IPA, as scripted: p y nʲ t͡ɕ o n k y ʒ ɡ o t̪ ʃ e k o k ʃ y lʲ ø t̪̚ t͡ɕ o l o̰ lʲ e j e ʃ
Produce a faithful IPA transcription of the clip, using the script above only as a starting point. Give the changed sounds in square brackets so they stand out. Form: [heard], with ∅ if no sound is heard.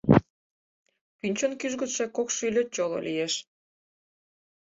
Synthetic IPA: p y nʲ t͡ɕ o n k y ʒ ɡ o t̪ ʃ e k o k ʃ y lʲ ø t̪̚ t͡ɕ o l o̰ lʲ [i] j e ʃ